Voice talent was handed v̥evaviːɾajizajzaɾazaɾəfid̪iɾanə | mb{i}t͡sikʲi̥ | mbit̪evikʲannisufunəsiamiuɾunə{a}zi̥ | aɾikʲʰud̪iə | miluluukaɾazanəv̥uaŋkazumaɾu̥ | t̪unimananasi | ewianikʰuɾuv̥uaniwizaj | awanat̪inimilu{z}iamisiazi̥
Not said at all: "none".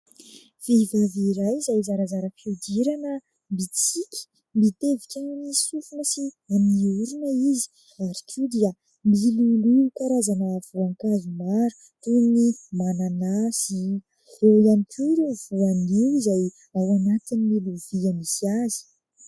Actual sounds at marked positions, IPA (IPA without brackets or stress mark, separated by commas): i, i, v